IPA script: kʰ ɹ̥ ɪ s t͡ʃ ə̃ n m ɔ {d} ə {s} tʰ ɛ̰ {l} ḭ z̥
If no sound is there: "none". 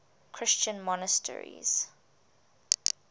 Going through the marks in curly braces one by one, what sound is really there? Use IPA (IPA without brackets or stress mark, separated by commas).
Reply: n, s, ɹ